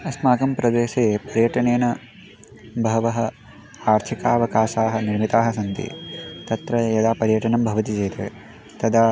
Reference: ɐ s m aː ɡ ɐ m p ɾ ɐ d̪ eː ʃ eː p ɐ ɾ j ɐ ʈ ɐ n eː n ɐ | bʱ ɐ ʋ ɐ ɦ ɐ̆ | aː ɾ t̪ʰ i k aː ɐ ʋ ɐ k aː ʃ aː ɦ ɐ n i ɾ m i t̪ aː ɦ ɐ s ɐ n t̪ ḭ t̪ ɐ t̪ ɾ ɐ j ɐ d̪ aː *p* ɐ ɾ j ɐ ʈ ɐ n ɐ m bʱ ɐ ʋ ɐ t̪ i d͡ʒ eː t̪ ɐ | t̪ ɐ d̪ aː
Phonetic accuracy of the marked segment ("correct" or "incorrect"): correct